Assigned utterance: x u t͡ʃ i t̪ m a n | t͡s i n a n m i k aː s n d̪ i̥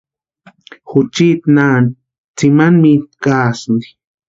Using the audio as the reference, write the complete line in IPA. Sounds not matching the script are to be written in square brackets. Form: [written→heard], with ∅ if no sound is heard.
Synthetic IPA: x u t͡ʃ i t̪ [m→n] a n | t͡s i [n→m] a n m i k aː s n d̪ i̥

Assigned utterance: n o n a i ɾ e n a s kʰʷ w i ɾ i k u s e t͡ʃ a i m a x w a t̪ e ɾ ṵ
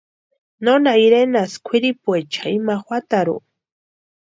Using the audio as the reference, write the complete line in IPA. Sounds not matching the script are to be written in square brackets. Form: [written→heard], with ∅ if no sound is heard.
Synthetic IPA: n o n a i ɾ e n a s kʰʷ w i ɾ i [k→p] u [s→∅] e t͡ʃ a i m a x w a t̪ [e→a] ɾ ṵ

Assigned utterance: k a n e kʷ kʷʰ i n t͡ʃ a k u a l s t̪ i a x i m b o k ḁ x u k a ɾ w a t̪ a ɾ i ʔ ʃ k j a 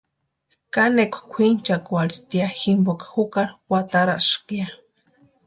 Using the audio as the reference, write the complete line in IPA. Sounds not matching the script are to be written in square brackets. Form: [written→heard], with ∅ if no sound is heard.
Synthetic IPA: k a n e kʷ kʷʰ i n t͡ʃ a k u a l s t̪ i a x i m b o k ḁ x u k a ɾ w a t̪ a ɾ [i→a] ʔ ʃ k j a

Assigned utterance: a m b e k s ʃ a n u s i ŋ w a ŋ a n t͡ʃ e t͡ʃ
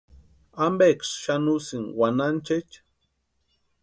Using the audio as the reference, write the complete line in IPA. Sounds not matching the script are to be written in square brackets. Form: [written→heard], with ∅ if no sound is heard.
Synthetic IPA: a m b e k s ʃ a n u s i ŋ w a [ŋ→n] a n t͡ʃ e t͡ʃ

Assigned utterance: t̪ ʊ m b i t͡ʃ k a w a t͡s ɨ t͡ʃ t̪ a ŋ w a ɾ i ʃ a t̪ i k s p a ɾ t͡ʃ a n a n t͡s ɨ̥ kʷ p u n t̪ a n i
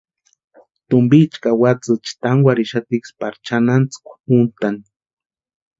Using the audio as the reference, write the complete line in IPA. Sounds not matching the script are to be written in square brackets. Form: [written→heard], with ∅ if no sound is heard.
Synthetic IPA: t̪ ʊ m b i t͡ʃ k a w a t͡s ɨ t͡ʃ t̪ a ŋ w a ɾ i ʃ a t̪ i k s p a ɾ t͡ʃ a n a n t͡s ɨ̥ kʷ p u n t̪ a n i

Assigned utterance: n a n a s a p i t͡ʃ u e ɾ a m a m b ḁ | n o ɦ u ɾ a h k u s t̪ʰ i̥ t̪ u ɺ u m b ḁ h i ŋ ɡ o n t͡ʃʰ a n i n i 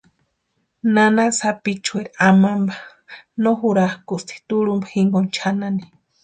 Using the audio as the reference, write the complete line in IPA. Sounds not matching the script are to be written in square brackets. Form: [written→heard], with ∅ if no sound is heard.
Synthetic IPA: n a n a s a p i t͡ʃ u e ɾ a m a m b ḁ | n o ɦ u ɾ a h k u s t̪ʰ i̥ t̪ u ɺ u m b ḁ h i ŋ ɡ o n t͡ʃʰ a n [i→a] n i

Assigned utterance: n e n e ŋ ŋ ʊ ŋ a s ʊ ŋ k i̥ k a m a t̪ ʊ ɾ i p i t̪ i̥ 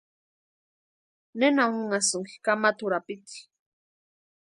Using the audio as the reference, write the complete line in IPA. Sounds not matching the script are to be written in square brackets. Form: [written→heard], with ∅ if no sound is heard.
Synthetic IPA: n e n [e→a] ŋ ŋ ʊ ŋ a s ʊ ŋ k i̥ k a m a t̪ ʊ ɾ [i→a] p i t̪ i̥

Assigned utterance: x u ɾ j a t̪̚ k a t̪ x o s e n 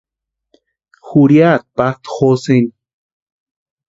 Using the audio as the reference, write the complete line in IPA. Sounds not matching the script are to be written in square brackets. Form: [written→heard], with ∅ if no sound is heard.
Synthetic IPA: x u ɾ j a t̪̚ [k→p] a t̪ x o s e n

